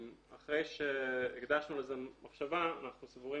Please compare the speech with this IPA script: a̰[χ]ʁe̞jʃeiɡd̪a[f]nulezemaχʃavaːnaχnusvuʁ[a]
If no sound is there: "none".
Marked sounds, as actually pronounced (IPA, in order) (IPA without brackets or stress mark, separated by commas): χ, ʃ, i